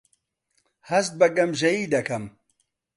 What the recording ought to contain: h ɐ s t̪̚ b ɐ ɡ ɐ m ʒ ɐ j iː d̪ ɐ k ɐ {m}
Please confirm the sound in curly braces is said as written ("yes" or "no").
yes